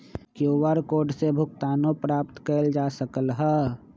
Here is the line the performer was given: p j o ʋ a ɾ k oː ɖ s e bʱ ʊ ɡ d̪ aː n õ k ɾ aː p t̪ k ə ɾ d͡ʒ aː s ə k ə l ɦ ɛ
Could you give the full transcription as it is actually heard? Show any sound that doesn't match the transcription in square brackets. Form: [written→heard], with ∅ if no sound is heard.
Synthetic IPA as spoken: [p→k] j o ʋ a ɾ k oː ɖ s e bʱ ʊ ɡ [d̪→t̪] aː n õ [k→p] ɾ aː p t̪ k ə [ɾ→l] d͡ʒ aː s ə k ə l ɦ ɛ